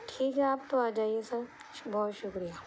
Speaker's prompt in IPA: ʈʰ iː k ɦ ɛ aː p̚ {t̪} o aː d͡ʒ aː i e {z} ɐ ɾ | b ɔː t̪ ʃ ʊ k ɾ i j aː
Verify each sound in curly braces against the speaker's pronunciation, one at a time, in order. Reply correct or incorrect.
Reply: correct, incorrect

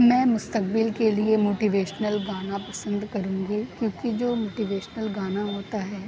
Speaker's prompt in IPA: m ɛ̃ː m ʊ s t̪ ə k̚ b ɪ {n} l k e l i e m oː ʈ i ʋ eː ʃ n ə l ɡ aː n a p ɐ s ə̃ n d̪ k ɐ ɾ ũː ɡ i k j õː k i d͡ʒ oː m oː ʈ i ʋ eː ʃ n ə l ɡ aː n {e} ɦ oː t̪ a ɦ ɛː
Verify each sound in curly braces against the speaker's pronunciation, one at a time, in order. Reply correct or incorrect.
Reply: incorrect, incorrect

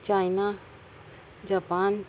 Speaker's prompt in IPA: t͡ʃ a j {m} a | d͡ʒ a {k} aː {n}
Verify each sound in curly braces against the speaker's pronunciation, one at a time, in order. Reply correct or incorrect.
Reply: incorrect, incorrect, correct

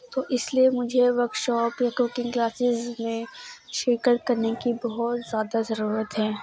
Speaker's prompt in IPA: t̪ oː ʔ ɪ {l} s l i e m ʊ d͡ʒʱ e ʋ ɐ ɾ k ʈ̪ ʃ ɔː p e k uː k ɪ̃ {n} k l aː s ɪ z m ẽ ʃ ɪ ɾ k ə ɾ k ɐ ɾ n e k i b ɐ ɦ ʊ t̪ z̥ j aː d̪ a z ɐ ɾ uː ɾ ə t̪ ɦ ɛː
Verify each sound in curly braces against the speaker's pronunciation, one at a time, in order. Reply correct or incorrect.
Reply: incorrect, incorrect

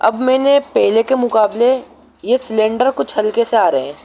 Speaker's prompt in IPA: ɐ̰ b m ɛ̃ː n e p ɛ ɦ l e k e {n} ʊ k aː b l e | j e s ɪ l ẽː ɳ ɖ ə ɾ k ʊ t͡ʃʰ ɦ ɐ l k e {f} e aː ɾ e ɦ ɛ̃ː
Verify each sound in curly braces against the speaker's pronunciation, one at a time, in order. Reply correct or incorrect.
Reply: incorrect, incorrect

